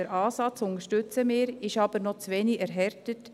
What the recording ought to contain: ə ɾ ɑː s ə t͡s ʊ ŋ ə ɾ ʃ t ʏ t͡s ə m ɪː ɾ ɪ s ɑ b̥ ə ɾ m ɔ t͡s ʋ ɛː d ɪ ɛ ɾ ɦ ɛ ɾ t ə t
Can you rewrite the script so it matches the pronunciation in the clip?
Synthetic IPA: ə ɾ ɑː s ɑ t͡s ʊ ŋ ə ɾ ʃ t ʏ t͡s ə m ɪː ɾ ɪ ʃ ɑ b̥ ə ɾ n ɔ t͡s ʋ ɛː n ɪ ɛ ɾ ɦ ɛ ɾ t ə t